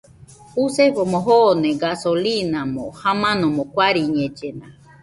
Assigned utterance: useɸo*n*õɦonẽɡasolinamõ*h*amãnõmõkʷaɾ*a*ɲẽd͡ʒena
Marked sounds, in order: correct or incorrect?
incorrect: m, correct, incorrect: i

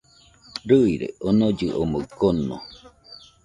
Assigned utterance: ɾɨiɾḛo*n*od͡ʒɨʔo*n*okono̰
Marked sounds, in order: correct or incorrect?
correct, incorrect: m

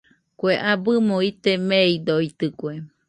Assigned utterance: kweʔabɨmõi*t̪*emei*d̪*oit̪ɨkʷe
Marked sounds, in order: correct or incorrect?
correct, correct

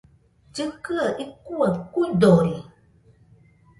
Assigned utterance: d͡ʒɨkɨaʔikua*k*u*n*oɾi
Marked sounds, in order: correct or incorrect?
correct, incorrect: d

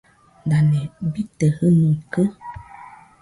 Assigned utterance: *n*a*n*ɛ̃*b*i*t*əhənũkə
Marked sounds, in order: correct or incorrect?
incorrect: d, correct, correct, correct

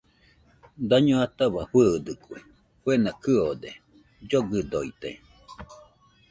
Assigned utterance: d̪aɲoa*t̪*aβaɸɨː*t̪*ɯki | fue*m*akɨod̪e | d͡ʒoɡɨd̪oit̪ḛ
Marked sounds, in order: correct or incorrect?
correct, incorrect: d̪, incorrect: n

